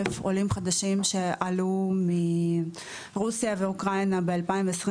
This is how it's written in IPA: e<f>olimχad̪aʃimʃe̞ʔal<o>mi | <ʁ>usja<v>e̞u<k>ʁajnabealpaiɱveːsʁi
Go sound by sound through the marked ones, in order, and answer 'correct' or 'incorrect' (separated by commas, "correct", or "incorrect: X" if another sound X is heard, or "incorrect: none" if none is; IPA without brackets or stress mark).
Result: correct, incorrect: u, correct, correct, correct